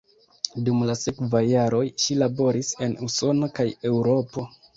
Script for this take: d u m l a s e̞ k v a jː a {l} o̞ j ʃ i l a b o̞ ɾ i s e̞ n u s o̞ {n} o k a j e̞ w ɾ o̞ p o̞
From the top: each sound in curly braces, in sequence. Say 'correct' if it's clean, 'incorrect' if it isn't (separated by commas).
incorrect, correct